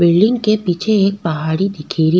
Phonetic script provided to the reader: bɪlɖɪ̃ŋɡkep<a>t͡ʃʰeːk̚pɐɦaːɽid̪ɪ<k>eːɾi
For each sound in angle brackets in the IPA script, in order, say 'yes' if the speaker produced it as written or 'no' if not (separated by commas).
no, no